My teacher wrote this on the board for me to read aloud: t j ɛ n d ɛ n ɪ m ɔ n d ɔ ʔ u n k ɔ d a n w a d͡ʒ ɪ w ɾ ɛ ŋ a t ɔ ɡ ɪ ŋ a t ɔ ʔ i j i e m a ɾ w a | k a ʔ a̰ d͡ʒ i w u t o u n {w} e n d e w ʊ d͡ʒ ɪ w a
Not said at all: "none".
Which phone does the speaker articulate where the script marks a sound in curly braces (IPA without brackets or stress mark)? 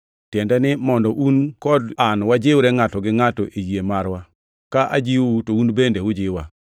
b